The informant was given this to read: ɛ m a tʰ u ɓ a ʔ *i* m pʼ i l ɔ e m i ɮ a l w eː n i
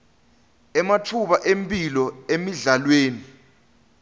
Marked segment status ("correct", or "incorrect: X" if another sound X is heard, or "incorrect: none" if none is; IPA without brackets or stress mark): incorrect: e